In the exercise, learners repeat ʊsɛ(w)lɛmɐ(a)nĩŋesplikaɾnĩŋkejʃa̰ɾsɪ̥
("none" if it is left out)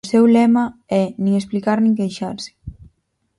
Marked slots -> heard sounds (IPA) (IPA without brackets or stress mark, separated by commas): w, ɛ